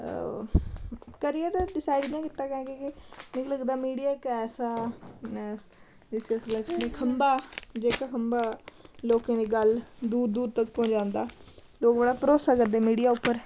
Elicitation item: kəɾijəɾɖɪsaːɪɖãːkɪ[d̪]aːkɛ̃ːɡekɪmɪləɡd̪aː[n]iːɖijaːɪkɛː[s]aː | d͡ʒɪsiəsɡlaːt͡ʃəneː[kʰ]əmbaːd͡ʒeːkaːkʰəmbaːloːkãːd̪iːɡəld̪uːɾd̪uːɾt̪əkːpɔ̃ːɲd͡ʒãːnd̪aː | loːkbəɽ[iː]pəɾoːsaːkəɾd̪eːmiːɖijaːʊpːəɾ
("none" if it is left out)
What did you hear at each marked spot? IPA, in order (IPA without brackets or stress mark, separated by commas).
t̪, m, s, kʰ, aː